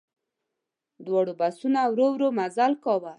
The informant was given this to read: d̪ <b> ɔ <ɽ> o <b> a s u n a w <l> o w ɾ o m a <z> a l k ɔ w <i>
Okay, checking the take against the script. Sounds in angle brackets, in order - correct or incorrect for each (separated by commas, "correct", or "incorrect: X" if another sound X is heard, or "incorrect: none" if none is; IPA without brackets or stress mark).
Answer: incorrect: w, correct, correct, incorrect: ɾ, correct, incorrect: a